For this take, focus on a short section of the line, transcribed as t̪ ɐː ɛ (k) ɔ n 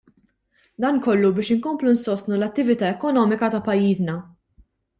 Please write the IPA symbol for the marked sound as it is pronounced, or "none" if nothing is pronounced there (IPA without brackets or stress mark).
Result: k